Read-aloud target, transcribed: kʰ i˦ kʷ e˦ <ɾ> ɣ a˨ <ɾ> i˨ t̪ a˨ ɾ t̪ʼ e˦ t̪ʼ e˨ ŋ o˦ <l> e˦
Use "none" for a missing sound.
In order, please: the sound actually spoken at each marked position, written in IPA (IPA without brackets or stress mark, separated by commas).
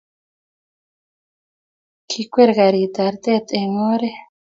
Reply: ɾ, ɾ, ɾ